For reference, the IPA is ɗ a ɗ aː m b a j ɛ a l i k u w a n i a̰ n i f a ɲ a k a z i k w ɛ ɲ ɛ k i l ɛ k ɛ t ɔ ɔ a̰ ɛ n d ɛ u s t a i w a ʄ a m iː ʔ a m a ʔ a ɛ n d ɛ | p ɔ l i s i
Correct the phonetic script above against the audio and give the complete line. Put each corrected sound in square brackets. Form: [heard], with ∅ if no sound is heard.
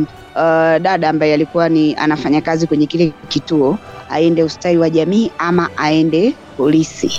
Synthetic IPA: ɗ a ɗ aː m b a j ɛ a l i k u w a n i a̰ n [a] f a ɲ a k a z i k w ɛ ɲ ɛ k i l ɛ k [i] t [u] ɔ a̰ ɛ n d ɛ u s t a i w a ʄ a m iː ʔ a m a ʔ a ɛ n d ɛ | p ɔ l i s i